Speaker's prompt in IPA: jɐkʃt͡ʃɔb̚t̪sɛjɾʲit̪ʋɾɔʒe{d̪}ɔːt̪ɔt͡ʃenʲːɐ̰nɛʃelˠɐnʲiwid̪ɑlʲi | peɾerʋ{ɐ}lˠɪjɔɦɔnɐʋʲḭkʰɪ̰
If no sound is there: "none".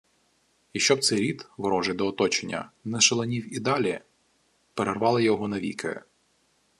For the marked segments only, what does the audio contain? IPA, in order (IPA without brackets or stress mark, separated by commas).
d̪, ɑ